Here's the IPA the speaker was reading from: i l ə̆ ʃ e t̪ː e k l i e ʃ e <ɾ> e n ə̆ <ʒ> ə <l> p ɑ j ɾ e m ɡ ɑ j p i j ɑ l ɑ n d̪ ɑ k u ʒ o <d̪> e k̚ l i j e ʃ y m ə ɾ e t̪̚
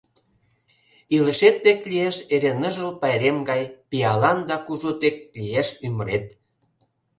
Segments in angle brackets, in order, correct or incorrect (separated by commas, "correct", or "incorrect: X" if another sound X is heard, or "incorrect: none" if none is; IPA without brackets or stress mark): correct, correct, correct, incorrect: t̪